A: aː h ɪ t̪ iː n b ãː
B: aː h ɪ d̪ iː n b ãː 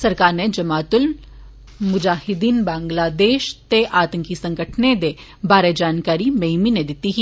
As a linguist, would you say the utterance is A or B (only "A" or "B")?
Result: B